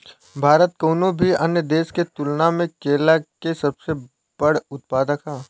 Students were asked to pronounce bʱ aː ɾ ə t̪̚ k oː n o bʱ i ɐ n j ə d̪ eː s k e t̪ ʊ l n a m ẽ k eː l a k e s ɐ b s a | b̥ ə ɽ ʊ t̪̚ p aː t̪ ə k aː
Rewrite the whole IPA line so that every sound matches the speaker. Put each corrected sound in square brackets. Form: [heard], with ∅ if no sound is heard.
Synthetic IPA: bʱ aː ɾ ə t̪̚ k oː n o bʱ i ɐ n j ə d̪ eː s k e t̪ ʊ l n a m ẽ k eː l a k e s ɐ b s [e] | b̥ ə ɽ ʊ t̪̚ p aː [d̪] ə k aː

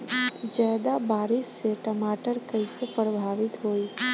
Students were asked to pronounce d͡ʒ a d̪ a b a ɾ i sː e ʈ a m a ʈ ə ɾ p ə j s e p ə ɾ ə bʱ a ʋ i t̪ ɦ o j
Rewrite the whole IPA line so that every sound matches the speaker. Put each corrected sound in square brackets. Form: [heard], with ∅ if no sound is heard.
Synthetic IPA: d͡ʒ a d̪ a b a ɾ i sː e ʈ [ə] m a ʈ ə ɾ [k] ə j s e p ə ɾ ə bʱ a ʋ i t̪ ɦ o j

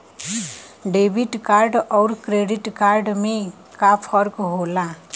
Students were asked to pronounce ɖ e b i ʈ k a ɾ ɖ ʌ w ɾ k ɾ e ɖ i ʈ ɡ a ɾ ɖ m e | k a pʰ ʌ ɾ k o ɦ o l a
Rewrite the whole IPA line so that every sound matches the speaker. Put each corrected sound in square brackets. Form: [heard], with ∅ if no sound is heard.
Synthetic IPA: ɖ e b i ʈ k a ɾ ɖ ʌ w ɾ k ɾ e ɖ i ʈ [k] a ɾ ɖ m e | k a pʰ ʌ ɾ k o ɦ o l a

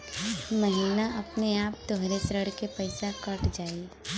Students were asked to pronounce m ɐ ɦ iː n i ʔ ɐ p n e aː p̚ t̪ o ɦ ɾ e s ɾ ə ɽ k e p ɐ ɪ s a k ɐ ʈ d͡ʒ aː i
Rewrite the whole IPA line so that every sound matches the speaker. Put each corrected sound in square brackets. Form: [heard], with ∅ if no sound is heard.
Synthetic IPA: m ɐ ɦ iː n [a] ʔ ɐ p n e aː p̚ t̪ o ɦ ɾ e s ɾ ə ɽ k e p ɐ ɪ s a k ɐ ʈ d͡ʒ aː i

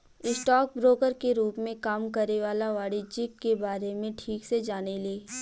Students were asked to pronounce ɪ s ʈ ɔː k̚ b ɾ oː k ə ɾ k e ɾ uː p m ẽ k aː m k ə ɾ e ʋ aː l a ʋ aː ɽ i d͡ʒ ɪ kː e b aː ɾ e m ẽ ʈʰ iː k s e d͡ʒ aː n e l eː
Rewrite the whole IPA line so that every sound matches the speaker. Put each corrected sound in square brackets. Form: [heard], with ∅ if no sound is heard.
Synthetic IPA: ɪ s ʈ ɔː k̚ b ɾ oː k ə ɾ k e ɾ uː p m ẽ k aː m k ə ɾ e ʋ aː l a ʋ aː ɽ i d͡ʒ ɪ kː e b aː ɾ e m ẽ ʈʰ iː k s e d͡ʒ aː n e l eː

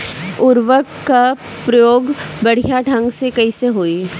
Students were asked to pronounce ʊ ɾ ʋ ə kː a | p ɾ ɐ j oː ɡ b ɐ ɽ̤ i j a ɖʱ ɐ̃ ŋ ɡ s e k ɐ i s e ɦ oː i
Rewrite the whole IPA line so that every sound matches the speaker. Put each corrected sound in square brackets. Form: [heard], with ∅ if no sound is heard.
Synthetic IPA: ʊ ɾ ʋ ə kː a | p ɾ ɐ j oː ɡ b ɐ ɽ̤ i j a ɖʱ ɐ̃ ŋ ɡ s e k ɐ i s e ɦ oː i

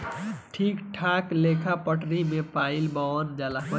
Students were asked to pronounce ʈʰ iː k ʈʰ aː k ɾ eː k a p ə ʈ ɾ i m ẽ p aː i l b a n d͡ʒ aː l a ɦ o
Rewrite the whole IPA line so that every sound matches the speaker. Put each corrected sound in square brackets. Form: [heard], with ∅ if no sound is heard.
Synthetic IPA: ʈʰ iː k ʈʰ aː k [l] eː [kʰ] a p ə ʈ ɾ i m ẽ p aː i l b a n d͡ʒ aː l a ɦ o

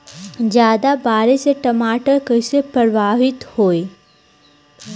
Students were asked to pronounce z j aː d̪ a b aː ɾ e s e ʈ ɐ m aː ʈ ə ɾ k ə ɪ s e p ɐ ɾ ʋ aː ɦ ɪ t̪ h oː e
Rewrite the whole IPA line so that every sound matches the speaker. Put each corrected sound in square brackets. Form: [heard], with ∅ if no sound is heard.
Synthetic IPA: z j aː d̪ a b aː ɾ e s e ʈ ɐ m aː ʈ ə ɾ k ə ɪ s e p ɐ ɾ ʋ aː ɦ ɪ t̪ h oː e

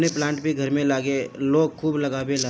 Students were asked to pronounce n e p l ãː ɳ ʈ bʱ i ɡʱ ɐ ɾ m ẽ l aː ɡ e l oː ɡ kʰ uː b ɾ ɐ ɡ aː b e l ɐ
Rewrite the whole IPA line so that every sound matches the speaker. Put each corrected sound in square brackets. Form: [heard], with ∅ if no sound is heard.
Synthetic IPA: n e p l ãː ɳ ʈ bʱ i ɡʱ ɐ ɾ m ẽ l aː ɡ e l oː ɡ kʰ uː b [l] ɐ ɡ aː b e l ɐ

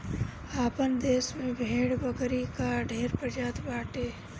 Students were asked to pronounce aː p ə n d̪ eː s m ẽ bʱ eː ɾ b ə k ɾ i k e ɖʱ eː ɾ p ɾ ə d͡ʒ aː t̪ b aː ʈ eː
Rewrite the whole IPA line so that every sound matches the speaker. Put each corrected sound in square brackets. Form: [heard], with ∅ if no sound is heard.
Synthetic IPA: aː p ə n d̪ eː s m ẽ bʱ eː [ɽ] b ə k ɾ i k [a] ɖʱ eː ɾ p ɾ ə d͡ʒ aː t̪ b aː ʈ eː

